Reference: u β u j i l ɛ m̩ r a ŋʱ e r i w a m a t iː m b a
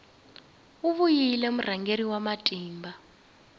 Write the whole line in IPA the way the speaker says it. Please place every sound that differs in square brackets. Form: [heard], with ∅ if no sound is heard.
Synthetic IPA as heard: u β u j i l ɛ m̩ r a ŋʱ e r i w a m a [tʼ] iː m b a